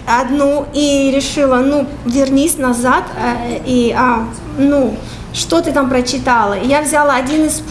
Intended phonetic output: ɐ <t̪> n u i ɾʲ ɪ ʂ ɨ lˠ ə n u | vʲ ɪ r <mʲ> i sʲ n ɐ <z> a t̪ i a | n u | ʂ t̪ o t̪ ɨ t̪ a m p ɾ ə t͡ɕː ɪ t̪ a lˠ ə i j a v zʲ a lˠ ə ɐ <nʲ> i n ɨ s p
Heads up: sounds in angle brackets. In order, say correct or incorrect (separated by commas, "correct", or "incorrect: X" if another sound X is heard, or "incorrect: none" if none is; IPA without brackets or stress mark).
incorrect: d̪, incorrect: nʲ, correct, incorrect: dʲ